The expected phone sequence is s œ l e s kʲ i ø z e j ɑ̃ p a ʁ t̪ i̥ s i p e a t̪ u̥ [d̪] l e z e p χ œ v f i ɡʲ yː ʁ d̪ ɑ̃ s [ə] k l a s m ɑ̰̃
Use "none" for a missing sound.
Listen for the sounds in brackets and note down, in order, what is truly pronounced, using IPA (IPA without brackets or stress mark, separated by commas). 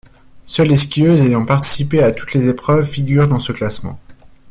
t̪, ə